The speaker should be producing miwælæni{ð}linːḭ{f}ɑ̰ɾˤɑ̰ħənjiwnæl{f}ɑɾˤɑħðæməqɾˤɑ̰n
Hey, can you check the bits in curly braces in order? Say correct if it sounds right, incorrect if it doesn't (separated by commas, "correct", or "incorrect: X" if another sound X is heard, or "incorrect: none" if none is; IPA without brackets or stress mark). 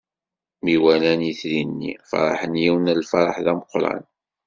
incorrect: θ, correct, correct